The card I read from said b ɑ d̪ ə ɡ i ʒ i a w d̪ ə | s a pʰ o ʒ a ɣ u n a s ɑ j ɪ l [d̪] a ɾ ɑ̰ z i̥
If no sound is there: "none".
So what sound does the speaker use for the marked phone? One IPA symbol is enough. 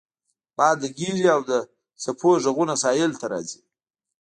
t̪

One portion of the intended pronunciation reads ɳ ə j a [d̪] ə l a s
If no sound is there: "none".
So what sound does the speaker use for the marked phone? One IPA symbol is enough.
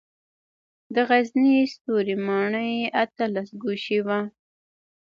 t̪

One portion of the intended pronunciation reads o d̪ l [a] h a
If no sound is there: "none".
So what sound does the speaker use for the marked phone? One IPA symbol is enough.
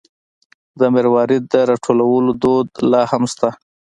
ɑ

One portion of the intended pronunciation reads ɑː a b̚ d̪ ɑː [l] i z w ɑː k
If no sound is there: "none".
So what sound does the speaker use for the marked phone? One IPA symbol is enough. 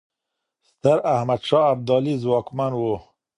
l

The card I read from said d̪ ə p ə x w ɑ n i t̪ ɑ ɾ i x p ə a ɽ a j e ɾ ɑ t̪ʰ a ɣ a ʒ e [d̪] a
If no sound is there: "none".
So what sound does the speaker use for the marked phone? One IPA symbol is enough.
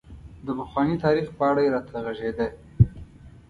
d̪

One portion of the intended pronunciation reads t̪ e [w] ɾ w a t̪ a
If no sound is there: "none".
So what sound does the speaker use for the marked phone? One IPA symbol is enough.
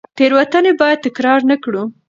none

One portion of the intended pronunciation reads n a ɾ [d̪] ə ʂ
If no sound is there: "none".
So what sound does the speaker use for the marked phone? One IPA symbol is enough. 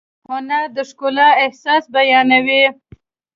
d̪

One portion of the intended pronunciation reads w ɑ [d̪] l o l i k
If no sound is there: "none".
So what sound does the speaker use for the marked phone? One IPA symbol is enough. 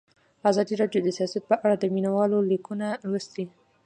none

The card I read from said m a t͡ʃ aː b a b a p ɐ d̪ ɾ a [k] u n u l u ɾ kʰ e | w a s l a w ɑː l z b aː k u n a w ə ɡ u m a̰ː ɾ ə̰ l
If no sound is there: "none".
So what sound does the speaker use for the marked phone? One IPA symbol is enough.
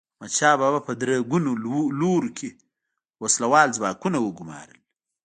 ɡ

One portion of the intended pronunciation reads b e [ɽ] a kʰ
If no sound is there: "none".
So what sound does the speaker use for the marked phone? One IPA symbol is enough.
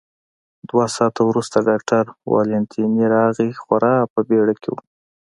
ɽ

